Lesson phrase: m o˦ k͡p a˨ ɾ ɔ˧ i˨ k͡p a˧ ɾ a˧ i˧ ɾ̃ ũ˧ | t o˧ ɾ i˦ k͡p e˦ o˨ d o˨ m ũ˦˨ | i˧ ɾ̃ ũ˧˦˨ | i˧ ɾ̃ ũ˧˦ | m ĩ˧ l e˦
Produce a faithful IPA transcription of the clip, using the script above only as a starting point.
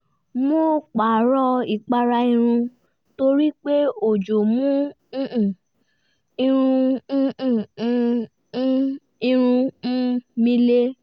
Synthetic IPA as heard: m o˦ k͡p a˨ ɾ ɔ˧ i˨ k͡p a˧ ɾ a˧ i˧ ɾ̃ ũ˧ | t o˧ ɾ i˦ k͡p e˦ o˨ d͡ʒ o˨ m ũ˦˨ | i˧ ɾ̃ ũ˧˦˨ | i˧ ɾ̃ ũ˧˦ | m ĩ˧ l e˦